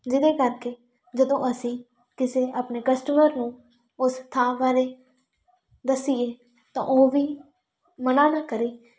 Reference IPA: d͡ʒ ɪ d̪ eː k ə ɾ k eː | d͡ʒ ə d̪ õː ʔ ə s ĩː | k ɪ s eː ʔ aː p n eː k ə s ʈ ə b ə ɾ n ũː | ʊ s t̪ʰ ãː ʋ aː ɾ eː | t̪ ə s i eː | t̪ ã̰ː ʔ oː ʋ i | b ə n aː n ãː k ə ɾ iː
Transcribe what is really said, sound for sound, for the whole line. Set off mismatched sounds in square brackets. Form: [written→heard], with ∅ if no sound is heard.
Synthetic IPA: d͡ʒ ɪ d̪ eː k ə ɾ k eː | d͡ʒ ə d̪ õː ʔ ə s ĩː | k ɪ s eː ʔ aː p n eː k ə s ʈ ə [b→m] ə ɾ n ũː | ʊ s t̪ʰ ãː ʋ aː ɾ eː | [t̪→d̪] ə s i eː | t̪ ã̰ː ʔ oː ʋ [i→iː] | [b→m] ə n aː n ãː k ə ɾ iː